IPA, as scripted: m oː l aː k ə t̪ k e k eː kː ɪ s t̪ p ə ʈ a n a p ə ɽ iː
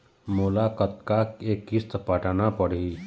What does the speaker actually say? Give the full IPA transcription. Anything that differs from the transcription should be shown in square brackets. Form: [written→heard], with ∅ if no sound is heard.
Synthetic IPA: m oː l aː k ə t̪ k [e→a] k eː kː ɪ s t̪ p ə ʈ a n a p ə ɽ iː